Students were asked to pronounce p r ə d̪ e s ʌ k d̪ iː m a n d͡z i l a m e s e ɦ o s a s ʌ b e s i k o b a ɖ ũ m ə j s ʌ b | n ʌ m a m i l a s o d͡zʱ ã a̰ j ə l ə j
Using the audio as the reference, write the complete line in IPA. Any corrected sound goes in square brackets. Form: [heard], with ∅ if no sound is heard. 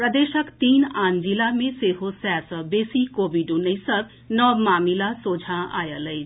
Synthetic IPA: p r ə d̪ e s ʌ k [t̪] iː [n] a n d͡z i l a m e s e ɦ o s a s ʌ b e s i k o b [i] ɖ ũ [n] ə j s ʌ b | n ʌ m a m i l a s o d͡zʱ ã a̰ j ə l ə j